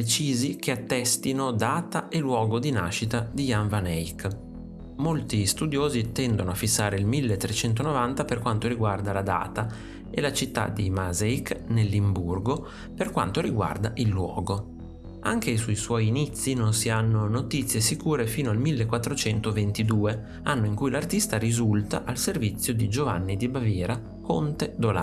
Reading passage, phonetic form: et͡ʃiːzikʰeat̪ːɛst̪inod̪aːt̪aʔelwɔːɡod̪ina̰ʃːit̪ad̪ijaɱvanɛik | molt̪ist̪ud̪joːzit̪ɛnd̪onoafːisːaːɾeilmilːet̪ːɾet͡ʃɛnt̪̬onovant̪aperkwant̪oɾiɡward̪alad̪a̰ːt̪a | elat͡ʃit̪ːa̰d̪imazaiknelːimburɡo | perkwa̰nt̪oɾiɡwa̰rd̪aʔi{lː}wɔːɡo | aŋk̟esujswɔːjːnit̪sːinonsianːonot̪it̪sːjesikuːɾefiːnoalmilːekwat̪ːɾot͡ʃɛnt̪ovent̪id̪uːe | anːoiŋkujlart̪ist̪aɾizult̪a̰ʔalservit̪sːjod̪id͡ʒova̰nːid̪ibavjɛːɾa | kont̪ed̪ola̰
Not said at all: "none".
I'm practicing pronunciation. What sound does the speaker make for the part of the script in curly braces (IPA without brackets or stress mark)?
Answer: lː